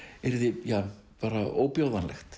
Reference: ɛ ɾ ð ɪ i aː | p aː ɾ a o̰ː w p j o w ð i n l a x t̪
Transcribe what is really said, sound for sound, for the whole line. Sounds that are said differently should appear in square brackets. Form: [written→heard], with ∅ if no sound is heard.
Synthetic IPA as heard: ɛ ɾ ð ɪ [i→j] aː | p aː ɾ a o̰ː w p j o w ð [i→a] n l [a→ɛ] x t̪